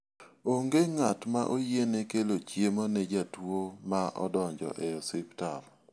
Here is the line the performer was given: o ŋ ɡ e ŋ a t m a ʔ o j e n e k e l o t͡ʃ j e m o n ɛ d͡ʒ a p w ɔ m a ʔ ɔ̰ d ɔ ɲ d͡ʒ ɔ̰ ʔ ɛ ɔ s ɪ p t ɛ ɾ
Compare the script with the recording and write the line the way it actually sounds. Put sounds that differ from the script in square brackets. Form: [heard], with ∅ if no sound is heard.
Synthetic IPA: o ŋ ɡ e ŋ a t m a ʔ o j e n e k e l o t͡ʃ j e m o n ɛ d͡ʒ a [t] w [o] m a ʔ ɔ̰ d ɔ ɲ d͡ʒ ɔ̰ ʔ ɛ ɔ s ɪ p t [a] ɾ